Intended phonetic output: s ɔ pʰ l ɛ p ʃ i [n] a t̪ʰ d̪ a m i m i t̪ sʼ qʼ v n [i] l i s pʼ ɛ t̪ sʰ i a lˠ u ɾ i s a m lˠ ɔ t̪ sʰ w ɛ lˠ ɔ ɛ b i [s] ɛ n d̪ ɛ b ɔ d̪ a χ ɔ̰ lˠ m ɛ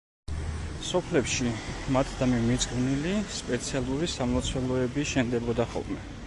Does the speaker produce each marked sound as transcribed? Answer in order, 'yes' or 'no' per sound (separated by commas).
no, yes, no